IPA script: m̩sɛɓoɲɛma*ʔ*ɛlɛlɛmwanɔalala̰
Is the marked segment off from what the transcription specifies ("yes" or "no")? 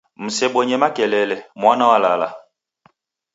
yes